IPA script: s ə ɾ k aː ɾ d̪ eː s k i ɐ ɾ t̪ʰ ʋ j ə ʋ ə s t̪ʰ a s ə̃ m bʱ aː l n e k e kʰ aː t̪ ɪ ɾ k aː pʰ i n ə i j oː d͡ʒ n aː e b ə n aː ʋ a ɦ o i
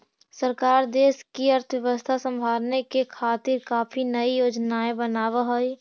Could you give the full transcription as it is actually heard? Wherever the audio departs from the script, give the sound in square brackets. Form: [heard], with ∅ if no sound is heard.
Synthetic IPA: s ə ɾ k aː ɾ d̪ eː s k i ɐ ɾ t̪ʰ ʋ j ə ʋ ə s t̪ʰ a s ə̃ m bʱ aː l n e k e kʰ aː t̪ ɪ ɾ k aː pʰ i n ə i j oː d͡ʒ n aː e b ə n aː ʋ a ɦ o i